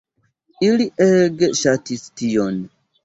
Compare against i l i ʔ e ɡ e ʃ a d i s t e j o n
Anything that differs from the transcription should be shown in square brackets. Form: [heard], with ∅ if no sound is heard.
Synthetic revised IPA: i l i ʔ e ɡ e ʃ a [t] i s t [i] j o n